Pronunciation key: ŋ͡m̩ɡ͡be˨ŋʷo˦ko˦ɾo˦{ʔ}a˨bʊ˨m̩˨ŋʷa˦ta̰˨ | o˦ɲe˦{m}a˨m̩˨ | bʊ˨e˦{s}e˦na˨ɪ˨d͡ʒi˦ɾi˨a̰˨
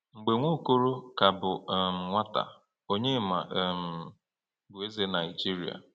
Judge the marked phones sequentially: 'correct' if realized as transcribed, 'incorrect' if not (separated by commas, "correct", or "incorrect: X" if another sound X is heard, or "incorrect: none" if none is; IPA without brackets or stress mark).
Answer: incorrect: k, correct, incorrect: z